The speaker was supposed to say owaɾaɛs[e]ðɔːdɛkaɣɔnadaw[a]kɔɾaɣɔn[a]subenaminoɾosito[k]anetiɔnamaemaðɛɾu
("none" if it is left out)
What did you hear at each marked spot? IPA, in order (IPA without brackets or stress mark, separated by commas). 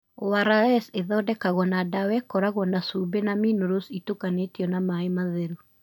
e, ɛ, a, k